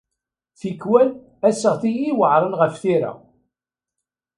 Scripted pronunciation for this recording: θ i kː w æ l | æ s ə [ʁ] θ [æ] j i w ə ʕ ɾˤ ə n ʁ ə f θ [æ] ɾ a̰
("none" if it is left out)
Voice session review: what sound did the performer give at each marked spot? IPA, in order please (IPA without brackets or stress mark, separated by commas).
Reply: ʁ, i, i